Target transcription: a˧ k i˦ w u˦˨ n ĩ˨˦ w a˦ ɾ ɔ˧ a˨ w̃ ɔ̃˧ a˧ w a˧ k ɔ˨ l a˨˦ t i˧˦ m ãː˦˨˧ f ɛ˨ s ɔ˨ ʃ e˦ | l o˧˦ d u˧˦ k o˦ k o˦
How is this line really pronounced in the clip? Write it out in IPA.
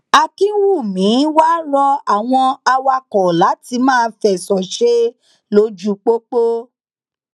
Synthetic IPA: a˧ k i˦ w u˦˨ m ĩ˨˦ w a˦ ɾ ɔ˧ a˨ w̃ ɔ̃˧ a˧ w a˧ k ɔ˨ l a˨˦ t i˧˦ m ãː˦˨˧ f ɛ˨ s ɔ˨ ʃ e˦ | l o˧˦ d͡ʒ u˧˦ k͡p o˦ k͡p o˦